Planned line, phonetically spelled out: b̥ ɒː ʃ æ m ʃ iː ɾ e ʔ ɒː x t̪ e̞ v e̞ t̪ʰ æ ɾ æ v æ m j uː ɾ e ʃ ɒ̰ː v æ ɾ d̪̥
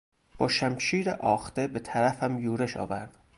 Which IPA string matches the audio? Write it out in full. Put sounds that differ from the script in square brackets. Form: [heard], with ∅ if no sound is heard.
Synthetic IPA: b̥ ɒː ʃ æ m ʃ iː ɾ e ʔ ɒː x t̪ e̞ [b] e̞ t̪ʰ æ ɾ æ [f] æ m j uː ɾ e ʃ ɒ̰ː v æ ɾ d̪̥